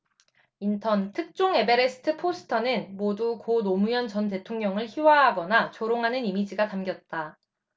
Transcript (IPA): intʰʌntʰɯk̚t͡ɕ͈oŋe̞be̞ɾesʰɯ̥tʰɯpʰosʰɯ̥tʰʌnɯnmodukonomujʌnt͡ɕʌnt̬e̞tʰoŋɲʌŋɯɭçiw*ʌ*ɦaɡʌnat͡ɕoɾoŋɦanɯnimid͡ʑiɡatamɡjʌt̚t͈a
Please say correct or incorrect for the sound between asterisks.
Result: incorrect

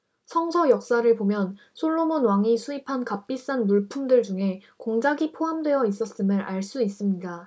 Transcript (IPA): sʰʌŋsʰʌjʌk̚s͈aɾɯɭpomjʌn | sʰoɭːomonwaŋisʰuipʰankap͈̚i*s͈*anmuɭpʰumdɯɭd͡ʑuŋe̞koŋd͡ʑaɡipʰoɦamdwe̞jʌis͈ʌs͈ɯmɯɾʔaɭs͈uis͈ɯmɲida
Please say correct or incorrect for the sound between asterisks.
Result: correct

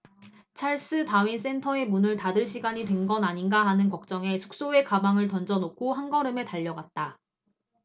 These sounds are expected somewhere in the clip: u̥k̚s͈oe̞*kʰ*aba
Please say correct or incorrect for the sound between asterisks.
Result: incorrect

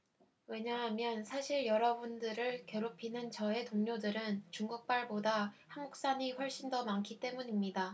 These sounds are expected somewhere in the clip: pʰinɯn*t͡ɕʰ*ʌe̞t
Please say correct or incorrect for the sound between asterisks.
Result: incorrect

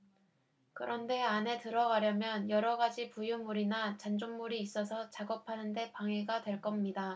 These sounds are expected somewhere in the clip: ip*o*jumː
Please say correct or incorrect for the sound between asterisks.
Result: incorrect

